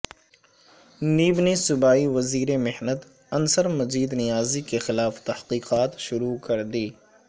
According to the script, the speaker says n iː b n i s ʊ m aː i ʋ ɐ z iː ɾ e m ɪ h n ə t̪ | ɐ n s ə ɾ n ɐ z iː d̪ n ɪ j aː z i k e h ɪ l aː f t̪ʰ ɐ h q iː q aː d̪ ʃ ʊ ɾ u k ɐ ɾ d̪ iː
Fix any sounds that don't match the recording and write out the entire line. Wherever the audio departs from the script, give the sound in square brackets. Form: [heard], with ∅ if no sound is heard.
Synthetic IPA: n iː b n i s ʊ [b] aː i ʋ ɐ z iː ɾ e m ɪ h n ə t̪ | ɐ n s ə ɾ [m] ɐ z iː d̪ n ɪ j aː z i k e [x] ɪ l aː f [t̪] ɐ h q iː q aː [t̪] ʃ ʊ ɾ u k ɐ ɾ d̪ iː